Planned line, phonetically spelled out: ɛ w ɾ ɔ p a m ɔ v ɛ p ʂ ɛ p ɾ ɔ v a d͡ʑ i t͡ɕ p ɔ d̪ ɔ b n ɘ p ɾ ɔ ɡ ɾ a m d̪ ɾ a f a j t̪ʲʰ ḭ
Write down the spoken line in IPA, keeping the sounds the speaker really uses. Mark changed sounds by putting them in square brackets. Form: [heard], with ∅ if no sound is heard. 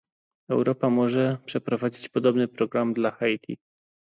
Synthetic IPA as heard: ɛ w ɾ ɔ p a m ɔ [ʐ] ɛ p ʂ ɛ p ɾ ɔ v a d͡ʑ i t͡ɕ p ɔ d̪ ɔ b n ɘ p ɾ ɔ ɡ ɾ a m d̪ [l] a [x] a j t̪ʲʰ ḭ